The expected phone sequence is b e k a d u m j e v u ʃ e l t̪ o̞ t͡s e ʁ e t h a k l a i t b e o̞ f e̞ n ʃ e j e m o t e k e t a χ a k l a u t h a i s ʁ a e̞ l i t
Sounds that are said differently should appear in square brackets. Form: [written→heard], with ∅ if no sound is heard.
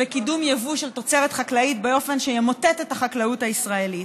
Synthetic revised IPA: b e k [a→i] d u m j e v u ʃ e l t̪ o̞ t͡s e ʁ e t [h→χ] a k l a i t b e o̞ f e̞ n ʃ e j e m o t e [k→t] e t a χ a k l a u t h a i s ʁ a e̞ l i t

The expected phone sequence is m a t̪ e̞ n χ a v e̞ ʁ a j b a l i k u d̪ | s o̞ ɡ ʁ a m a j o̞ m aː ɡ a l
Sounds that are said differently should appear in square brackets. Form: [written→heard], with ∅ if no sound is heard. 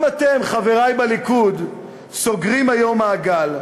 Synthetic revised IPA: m a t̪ e̞ [n→m] χ a v e̞ ʁ a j b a l i k u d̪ | s o̞ ɡ ʁ [a→i] m a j o̞ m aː ɡ a l

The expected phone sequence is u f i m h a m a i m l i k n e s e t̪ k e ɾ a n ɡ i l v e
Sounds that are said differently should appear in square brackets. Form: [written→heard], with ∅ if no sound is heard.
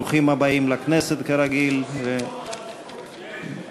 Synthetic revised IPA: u [f→χ] i m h a [m→b] a i m l [i→a] k n e s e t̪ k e ɾ a [n→∅] ɡ i l v e

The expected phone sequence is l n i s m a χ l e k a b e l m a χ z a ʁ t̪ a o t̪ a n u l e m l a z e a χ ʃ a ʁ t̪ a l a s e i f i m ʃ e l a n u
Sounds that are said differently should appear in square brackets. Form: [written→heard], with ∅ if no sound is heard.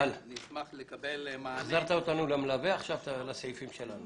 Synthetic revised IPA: l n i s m a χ l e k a b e l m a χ z a ʁ t̪ a o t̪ a n u l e m l a [z→v] e a χ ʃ a [ʁ→v] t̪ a l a s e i f i m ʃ e l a n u

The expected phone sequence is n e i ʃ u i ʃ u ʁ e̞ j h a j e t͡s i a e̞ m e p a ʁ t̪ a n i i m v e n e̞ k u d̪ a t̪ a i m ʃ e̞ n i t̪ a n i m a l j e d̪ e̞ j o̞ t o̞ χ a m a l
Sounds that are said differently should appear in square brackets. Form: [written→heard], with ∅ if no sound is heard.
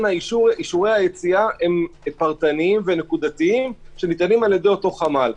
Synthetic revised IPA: n [e→a] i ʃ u i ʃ u ʁ e̞ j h a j e t͡s i a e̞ m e p a ʁ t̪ a n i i m v e n e̞ k u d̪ a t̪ [a→i] i m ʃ e̞ n i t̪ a n i m a l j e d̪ e̞ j o̞ t o̞ χ a m a l

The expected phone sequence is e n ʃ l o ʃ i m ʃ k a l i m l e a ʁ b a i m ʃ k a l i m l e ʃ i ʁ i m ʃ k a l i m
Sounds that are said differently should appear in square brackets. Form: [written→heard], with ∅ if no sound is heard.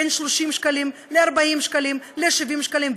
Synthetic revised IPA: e n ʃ l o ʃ i m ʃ k a l i m l e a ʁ b a i m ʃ k a l i m l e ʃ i [ʁ→v] i m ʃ k a l i m

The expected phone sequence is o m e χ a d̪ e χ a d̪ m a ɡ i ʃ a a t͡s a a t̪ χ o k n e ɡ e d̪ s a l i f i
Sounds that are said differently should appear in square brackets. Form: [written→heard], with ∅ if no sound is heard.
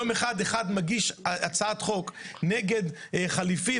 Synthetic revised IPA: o m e χ a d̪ e χ a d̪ m a ɡ i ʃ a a t͡s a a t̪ χ o k n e ɡ e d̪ [s→χ] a l i f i

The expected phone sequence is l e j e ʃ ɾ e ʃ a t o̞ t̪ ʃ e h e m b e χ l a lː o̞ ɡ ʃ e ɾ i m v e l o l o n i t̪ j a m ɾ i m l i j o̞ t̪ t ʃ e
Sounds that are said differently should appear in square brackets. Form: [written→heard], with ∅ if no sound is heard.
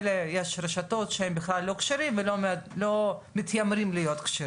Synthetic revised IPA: l e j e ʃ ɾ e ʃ a t o̞ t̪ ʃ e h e m b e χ l a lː o̞ [ɡ→k] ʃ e ɾ i m v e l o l o [n→m] i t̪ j a m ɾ i m l i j o̞ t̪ [t→k] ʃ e

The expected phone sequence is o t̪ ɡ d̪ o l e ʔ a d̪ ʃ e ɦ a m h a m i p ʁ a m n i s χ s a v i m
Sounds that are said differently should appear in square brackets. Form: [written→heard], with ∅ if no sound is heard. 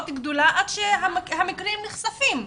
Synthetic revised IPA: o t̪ ɡ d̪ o l [e→a] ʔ a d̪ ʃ e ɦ a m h a m i [p→k] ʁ [a→i] m n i [s→∅] χ s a [v→f] i m

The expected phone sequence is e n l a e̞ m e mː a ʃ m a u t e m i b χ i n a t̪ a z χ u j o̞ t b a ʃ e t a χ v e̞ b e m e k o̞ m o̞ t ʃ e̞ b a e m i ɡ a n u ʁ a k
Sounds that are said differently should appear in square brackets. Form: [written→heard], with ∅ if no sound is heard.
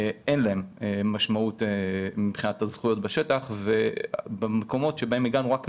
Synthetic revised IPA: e n l a e̞ m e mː a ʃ m a u t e m i b χ i n a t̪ a z χ u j o̞ t b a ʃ e t a χ v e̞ b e m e k o̞ m o̞ t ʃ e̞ b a e m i ɡ a n u ʁ a k

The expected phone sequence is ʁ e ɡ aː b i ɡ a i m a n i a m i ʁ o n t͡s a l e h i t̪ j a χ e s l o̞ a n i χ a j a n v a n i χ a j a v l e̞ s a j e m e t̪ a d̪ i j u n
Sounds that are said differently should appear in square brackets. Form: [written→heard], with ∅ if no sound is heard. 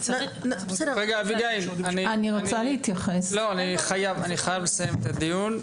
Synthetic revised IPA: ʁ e ɡ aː [b→v] i ɡ a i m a n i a [m→n] i ʁ o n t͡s a l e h i t̪ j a χ e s l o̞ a n i χ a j a [n→∅] v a n i χ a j a v l e̞ s a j e m e t̪ a d̪ i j u n

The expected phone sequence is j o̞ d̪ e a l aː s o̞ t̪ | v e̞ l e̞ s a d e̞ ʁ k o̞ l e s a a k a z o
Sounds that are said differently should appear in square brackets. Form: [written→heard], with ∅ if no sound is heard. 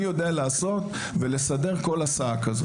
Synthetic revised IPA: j o̞ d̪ e a l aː s o̞ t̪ | v e̞ l e̞ s a d e̞ ʁ k o̞ l [e→a] s a a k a z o

